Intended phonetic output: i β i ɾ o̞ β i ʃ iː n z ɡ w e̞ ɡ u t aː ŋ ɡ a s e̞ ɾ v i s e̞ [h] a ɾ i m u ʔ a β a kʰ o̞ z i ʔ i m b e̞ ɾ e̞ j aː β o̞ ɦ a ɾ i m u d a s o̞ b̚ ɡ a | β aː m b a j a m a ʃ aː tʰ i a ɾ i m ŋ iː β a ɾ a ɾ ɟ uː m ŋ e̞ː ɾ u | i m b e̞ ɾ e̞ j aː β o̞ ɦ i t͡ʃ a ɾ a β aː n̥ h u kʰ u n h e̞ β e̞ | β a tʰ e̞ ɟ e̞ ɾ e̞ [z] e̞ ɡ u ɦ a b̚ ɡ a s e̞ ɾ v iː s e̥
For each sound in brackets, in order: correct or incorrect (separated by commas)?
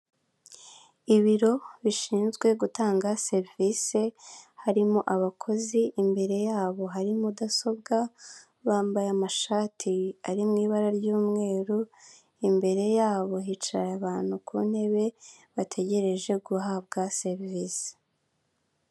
correct, incorrect